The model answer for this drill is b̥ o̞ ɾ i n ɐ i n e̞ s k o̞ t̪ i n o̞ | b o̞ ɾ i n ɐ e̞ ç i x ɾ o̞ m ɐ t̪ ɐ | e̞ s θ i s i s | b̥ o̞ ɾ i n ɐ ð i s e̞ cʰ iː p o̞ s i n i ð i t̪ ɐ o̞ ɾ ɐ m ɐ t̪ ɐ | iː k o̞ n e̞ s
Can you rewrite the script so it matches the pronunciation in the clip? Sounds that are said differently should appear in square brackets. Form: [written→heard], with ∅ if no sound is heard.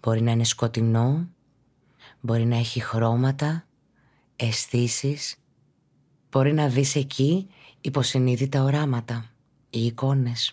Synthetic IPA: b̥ o̞ ɾ i n ɐ i n e̞ s k o̞ t̪ i n o̞ | b o̞ ɾ i n ɐ e̞ ç i x ɾ o̞ m ɐ t̪ ɐ | e̞ s θ i s i s | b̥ o̞ ɾ i n ɐ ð i s e̞ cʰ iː p o̞ s i n i ð i t̪ ɐ o̞ ɾ ɐ m ɐ t̪ ɐ | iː k o̞ n e̞ s